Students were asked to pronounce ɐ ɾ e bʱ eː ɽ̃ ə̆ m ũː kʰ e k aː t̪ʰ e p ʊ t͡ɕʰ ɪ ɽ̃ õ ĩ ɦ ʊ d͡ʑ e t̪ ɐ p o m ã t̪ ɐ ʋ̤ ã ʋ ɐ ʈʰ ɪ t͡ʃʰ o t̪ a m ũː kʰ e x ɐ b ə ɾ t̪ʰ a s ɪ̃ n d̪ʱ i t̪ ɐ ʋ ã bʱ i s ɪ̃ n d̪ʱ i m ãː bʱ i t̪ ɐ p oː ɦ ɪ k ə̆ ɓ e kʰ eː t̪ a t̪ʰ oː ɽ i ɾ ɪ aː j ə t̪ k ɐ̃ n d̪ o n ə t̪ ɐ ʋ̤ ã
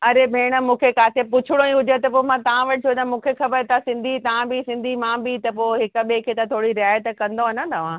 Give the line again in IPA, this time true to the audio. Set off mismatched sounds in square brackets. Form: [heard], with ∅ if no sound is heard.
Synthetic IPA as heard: ɐ ɾ e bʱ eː ɽ̃ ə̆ m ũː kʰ e k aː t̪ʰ e p ʊ t͡ɕʰ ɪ ɽ̃ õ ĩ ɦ ʊ d͡ʑ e t̪ ɐ p o m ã t̪ ɐ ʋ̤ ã ʋ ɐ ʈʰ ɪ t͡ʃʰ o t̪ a m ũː kʰ e x ɐ b ə ɾ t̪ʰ a s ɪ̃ n d̪ʱ i t̪ ɐ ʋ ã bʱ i s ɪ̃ n d̪ʱ i m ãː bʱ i t̪ ɐ p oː ɦ ɪ k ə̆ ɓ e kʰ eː t̪ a t̪ʰ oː ɽ i ɾ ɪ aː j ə t̪ k ɐ̃ n d̪ o n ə t̪ ɐ ʋ̤ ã